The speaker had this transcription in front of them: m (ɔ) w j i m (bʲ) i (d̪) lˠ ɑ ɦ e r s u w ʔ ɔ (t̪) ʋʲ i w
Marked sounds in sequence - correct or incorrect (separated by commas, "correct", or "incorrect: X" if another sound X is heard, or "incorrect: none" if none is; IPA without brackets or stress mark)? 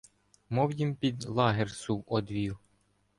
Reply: correct, incorrect: pʲ, correct, incorrect: d̪